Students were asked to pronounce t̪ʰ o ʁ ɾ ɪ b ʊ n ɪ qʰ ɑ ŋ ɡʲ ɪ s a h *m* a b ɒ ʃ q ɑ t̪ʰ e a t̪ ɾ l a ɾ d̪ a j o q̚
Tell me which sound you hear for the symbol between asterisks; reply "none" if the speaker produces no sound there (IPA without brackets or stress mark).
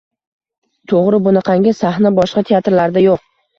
n